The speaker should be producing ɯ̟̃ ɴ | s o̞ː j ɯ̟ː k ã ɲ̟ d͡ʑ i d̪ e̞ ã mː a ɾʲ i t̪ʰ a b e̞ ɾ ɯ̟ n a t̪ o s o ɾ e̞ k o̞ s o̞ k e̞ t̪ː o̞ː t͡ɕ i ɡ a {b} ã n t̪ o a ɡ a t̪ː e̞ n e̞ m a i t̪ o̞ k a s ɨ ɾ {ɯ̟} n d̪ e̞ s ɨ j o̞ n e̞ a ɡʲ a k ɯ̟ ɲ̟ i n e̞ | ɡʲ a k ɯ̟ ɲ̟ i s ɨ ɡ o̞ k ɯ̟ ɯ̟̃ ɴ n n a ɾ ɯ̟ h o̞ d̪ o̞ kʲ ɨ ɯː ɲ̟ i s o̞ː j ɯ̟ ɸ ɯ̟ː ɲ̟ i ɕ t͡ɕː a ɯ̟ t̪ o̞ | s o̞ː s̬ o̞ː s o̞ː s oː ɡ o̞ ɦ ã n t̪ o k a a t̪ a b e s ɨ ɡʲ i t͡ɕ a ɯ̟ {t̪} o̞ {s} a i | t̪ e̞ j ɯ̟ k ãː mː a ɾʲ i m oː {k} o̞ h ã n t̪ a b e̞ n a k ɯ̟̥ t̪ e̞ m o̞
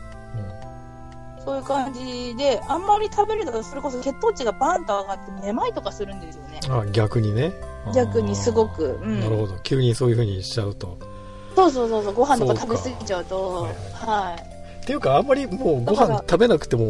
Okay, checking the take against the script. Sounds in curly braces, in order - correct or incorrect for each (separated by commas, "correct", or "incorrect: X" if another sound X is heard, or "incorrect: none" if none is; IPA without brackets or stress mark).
correct, incorrect: ɯ̟̃, correct, incorrect: h, incorrect: ɡ